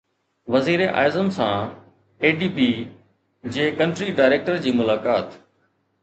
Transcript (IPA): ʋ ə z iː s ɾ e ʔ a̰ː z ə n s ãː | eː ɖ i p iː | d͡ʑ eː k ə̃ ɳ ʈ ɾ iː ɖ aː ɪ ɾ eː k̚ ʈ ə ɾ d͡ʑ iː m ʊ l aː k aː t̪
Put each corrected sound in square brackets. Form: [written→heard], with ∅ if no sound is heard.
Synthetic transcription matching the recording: ʋ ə z iː [s→∅] ɾ e ʔ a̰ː z ə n s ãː | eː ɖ [i→iː] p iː | d͡ʑ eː k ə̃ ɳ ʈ ɾ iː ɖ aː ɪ ɾ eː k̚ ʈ ə ɾ d͡ʑ iː m ʊ l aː k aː t̪